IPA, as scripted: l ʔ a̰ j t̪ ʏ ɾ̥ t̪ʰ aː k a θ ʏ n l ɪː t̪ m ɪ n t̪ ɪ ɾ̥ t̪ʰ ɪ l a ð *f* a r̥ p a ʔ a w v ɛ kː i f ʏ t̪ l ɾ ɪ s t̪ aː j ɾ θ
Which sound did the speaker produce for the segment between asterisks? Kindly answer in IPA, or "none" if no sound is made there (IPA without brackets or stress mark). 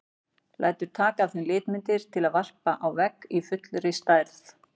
v